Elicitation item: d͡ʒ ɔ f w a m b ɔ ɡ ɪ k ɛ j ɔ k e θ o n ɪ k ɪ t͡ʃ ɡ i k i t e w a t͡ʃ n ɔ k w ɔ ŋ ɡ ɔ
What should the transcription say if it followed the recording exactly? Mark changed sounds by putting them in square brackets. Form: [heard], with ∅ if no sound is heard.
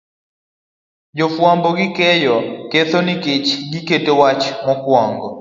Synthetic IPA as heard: d͡ʒ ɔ f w a m b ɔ ɡ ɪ k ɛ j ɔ k e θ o n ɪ k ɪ t͡ʃ ɡ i k [e] t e w a t͡ʃ [m] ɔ k w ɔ ŋ ɡ ɔ